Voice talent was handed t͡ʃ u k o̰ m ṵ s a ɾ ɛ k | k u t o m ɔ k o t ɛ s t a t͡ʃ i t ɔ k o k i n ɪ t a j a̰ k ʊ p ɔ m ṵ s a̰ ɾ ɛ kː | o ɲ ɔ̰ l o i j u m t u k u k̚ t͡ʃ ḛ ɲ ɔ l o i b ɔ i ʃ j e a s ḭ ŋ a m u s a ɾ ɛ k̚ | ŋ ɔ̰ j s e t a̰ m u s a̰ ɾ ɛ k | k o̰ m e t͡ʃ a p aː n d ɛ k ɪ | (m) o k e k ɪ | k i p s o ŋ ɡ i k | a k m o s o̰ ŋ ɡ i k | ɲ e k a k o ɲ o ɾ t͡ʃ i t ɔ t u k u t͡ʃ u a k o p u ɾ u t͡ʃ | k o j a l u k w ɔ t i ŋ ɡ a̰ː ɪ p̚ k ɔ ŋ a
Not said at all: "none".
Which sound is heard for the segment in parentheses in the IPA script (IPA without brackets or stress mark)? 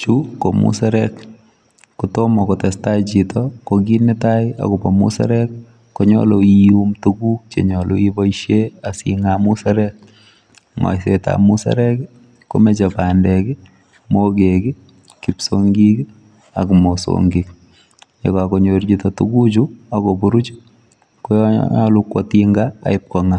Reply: m